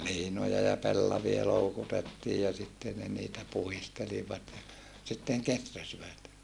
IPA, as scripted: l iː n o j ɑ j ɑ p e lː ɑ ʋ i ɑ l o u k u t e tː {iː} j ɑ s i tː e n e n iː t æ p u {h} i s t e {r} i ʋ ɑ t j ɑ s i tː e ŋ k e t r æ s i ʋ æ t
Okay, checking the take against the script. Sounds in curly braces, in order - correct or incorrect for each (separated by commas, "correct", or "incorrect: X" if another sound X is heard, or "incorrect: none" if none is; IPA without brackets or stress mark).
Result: correct, correct, incorrect: l